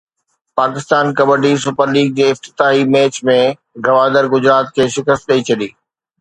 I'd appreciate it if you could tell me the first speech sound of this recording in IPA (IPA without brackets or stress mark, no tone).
p